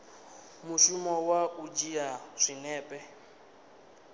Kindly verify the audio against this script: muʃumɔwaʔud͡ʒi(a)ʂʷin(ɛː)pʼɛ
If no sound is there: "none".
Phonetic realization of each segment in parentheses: a, ɛː

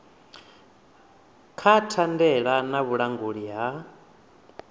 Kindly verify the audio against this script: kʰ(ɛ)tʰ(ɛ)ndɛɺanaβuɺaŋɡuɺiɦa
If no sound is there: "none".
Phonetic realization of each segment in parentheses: a, a

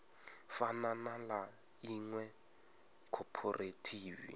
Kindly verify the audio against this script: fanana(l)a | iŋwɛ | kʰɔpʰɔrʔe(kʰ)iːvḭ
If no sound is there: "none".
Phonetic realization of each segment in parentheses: l, tʰ

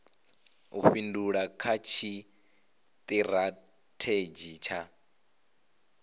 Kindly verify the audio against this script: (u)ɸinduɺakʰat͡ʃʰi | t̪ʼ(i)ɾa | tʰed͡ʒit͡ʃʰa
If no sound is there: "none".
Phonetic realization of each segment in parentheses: u, i

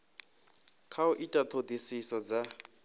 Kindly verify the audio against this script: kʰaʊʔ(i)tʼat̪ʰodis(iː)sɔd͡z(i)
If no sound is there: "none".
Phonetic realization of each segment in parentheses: i, i, a

